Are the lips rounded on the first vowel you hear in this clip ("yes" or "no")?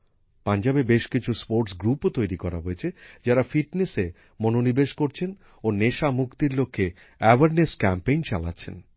no